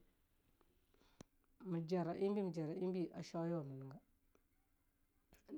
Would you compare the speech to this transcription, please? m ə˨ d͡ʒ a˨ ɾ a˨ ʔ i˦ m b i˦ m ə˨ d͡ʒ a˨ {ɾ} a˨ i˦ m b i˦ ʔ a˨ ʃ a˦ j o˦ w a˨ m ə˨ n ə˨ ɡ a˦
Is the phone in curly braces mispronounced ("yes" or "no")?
no